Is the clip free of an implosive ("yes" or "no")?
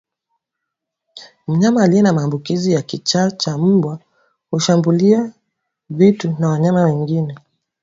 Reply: yes